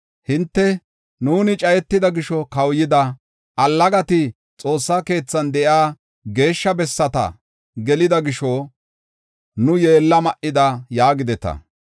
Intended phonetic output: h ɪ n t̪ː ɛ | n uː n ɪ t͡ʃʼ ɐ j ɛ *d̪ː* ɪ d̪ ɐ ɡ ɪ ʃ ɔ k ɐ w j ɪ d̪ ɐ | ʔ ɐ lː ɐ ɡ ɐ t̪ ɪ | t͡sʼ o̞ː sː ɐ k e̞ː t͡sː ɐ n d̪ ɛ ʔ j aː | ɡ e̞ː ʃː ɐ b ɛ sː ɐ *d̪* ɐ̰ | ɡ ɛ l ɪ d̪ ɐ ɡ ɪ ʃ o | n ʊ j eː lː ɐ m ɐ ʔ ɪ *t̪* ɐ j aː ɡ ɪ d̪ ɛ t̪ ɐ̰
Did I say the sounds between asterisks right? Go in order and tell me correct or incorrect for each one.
incorrect, incorrect, incorrect

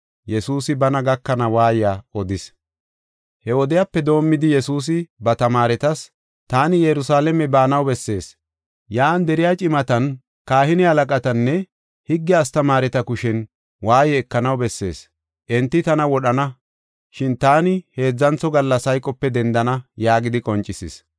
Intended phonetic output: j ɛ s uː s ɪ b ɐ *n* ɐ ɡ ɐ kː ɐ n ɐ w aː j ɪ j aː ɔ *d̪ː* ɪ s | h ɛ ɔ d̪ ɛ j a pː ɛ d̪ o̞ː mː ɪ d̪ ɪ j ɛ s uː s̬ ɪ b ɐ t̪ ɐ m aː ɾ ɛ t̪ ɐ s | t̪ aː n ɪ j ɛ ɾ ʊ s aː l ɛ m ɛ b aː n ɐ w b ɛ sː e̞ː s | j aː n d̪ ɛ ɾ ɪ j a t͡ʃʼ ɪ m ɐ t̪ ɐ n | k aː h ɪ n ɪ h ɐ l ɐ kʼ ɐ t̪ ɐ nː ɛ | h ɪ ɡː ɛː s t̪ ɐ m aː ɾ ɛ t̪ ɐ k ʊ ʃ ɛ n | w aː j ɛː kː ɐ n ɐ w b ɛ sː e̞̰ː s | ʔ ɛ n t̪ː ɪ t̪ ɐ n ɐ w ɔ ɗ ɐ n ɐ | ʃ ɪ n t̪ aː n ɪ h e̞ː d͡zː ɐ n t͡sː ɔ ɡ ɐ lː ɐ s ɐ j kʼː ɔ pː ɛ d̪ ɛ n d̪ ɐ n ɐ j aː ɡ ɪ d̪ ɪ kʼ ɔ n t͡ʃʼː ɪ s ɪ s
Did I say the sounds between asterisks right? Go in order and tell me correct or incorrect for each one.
correct, incorrect

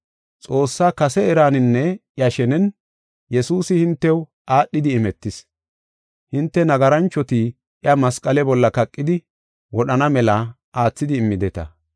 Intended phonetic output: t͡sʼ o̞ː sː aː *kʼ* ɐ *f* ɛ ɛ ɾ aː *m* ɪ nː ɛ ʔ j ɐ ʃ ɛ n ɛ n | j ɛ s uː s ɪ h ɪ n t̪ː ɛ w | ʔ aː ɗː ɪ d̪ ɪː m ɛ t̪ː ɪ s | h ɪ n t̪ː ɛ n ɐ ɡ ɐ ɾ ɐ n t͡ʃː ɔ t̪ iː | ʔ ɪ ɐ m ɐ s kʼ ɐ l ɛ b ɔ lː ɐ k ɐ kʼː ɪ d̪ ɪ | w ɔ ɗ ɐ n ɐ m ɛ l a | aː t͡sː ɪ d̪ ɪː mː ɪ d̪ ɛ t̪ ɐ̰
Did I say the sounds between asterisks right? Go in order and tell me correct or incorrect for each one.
incorrect, incorrect, incorrect

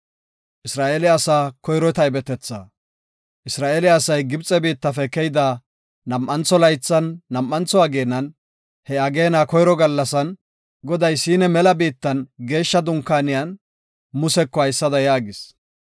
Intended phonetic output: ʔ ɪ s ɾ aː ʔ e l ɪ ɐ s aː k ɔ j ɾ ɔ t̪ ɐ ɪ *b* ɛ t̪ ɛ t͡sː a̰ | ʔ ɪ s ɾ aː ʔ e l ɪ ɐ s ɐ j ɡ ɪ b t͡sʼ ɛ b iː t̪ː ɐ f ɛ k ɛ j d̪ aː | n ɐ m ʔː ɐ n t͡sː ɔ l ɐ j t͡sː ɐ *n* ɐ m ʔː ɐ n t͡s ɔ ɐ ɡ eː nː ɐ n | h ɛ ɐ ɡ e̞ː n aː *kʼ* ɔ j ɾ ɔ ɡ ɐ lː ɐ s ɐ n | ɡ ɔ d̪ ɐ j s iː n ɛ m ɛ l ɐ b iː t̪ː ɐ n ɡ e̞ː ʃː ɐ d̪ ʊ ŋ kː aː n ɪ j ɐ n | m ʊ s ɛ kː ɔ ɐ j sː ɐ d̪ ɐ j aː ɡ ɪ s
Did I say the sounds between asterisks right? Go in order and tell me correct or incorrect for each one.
correct, incorrect, incorrect

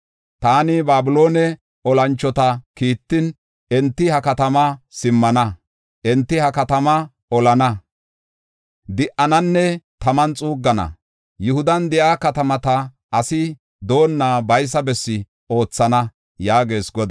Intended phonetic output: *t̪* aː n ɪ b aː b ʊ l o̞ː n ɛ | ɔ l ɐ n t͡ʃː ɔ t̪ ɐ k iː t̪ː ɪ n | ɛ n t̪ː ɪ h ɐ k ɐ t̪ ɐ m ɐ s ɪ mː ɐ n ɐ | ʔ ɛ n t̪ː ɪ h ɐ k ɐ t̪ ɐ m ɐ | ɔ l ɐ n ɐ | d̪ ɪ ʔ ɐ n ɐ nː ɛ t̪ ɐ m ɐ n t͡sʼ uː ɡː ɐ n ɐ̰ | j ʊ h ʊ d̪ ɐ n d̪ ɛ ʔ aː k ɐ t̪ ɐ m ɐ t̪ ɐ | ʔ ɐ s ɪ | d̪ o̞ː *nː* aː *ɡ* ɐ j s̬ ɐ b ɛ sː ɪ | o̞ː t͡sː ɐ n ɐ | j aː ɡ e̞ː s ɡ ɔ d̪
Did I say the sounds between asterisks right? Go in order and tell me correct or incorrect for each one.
correct, correct, incorrect

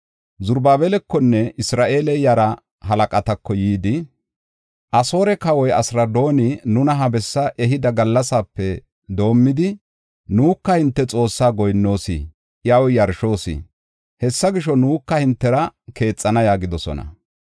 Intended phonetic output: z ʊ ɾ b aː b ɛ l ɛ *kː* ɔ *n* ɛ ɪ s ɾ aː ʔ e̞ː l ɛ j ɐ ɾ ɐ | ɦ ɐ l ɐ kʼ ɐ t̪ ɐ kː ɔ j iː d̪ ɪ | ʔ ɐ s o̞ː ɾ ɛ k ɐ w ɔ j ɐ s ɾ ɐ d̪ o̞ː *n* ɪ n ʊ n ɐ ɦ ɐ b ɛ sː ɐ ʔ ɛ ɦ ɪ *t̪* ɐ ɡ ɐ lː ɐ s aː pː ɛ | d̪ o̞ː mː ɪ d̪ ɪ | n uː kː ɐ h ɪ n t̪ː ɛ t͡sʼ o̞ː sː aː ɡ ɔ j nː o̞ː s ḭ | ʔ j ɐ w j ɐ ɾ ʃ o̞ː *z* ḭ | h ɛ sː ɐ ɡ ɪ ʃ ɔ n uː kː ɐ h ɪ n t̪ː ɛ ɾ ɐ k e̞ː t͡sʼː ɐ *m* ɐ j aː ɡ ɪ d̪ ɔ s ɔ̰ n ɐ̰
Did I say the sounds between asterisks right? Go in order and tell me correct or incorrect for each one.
correct, incorrect, correct, incorrect, incorrect, incorrect

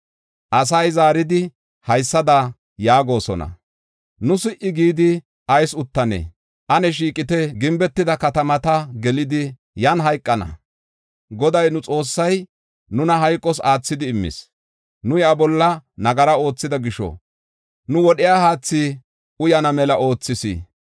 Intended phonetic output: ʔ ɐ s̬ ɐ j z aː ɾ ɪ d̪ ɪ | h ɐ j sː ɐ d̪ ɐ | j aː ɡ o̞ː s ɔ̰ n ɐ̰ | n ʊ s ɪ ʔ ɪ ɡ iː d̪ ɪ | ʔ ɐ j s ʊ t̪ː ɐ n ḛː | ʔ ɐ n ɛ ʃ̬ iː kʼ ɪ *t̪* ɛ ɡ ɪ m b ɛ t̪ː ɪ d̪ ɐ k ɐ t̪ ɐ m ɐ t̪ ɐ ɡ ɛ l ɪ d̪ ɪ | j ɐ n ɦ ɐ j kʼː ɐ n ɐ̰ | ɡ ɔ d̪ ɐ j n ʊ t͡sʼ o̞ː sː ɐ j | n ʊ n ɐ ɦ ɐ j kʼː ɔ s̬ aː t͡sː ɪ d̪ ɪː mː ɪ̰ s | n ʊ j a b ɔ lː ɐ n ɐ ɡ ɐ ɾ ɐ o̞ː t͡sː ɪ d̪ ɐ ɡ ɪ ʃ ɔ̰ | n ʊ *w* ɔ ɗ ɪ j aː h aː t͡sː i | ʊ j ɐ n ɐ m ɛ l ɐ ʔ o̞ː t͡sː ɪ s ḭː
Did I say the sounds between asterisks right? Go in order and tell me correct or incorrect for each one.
correct, correct

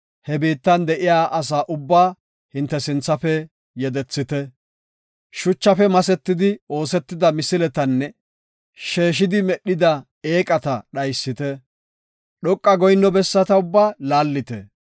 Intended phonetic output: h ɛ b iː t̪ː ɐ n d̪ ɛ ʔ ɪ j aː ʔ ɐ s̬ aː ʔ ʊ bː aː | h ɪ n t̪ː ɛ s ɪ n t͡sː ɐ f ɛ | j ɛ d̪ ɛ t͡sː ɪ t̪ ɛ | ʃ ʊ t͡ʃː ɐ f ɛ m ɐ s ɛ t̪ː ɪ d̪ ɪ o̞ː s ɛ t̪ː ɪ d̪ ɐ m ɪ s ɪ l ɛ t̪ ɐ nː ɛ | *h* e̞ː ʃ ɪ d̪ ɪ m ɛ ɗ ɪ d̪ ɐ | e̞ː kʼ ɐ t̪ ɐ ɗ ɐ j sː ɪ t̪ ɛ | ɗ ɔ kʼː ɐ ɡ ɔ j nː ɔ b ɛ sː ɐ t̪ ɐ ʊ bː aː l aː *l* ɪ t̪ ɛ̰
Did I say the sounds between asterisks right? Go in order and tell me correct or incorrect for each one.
incorrect, incorrect

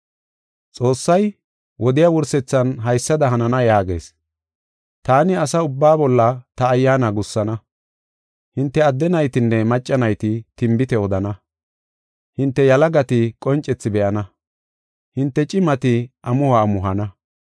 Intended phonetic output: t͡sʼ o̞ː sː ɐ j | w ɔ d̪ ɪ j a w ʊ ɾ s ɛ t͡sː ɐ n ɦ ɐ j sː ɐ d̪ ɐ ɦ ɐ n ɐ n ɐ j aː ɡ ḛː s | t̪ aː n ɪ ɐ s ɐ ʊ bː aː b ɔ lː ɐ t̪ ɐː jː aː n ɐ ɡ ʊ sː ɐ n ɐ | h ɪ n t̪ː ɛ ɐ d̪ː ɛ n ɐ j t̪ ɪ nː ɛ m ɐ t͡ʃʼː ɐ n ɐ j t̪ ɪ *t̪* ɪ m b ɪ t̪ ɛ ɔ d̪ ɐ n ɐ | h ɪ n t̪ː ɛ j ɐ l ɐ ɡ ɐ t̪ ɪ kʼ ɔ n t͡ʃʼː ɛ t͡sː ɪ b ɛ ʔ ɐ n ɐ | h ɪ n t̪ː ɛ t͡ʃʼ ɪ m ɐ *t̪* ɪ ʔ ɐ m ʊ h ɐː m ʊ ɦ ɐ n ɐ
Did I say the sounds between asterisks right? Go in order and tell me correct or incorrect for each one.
correct, correct

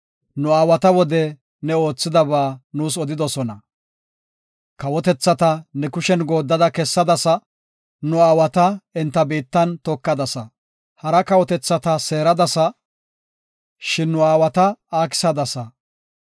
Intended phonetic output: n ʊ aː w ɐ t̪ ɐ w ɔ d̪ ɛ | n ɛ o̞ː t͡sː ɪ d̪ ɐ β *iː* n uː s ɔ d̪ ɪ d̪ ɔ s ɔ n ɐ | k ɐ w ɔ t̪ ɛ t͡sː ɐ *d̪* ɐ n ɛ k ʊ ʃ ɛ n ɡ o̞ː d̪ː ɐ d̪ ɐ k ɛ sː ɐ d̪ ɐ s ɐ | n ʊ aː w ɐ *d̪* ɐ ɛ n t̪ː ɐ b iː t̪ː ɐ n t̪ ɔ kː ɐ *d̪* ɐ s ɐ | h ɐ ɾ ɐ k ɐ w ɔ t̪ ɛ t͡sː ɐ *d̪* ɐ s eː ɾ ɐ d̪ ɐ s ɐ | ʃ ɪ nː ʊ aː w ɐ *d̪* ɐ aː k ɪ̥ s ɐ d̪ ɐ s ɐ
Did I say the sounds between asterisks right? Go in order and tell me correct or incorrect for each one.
incorrect, incorrect, incorrect, correct, incorrect, incorrect

